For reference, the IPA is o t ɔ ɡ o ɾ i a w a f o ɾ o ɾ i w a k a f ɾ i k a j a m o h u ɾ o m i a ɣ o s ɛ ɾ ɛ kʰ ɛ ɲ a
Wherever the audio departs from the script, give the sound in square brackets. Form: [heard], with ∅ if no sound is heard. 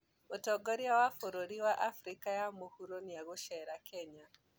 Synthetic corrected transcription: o t ɔ ɡ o ɾ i a w a f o ɾ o ɾ i w a [ʔ] a f ɾ i k a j a m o h u ɾ o [n] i a ɣ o [ʃ] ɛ ɾ [a] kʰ ɛ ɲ a